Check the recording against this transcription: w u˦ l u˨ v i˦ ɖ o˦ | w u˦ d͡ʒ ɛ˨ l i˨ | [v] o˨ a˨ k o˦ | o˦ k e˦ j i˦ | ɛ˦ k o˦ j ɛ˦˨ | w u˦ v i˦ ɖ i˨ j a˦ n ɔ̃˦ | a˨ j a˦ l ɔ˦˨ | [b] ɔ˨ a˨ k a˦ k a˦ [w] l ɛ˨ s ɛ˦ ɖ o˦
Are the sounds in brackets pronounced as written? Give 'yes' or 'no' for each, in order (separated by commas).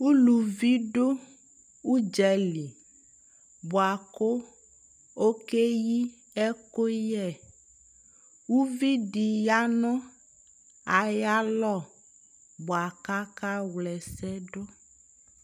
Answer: no, yes, yes